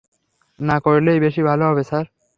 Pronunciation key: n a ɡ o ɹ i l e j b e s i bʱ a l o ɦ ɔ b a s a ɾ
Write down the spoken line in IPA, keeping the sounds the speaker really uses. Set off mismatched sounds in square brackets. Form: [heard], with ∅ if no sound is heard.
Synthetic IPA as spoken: n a [k] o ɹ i l e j b e [ʃ] i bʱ a l o ɦ ɔ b [e] s a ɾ